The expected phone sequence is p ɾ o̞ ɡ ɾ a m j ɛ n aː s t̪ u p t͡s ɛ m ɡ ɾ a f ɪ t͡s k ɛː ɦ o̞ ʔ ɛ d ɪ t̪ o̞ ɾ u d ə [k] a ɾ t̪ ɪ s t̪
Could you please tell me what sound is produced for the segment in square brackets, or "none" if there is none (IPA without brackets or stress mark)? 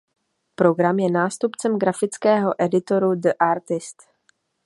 ʔ